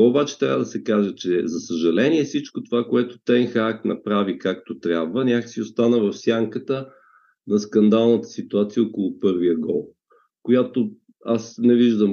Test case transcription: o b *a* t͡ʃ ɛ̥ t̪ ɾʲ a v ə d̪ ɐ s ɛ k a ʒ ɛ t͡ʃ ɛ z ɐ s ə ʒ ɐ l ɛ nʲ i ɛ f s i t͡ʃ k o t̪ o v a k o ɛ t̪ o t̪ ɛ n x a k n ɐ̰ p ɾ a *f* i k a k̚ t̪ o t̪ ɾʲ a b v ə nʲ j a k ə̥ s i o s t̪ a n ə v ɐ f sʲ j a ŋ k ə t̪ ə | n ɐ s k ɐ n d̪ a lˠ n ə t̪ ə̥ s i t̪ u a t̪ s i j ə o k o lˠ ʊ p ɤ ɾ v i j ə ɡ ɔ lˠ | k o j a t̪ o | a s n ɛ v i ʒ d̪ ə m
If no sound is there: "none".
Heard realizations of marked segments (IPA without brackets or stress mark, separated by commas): a, v